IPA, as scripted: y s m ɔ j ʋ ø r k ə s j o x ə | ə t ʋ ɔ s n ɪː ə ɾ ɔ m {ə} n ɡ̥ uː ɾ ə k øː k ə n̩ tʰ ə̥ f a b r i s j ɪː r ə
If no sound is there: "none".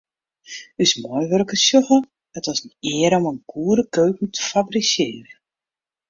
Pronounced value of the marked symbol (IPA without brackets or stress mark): ə